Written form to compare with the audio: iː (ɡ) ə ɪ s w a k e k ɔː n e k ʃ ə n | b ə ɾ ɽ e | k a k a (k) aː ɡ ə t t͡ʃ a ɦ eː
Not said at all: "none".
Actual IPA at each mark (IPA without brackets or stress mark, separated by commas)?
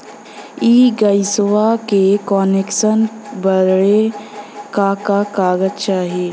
ɡ, k